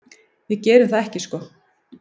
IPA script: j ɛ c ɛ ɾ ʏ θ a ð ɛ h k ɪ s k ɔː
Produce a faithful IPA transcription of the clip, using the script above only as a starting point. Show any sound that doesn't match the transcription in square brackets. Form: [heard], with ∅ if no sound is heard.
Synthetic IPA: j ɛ c [ɛː] ɾ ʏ θ a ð ɛ h [c] ɪ s k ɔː